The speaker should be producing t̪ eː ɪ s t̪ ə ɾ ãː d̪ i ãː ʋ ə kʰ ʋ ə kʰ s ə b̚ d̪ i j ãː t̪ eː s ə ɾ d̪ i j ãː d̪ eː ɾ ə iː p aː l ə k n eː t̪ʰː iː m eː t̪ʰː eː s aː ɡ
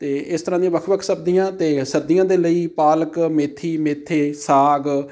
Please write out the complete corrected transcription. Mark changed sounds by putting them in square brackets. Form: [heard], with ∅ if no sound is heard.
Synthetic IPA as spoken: t̪ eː ɪ s t̪ ə ɾ ãː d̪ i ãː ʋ ə kʰ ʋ ə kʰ s ə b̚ d̪ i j ãː t̪ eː s ə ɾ d̪ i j ãː d̪ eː [l] ə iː p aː l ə k [m] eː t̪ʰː iː m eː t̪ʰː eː s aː ɡ